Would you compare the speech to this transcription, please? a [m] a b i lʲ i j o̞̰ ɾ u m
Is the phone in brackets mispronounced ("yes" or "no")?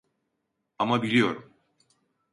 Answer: no